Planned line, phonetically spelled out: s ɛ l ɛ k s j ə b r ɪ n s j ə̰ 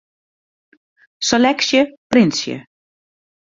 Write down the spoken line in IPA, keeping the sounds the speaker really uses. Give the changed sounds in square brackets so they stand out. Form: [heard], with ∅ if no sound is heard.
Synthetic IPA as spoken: s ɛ l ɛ k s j ə [p] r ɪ n s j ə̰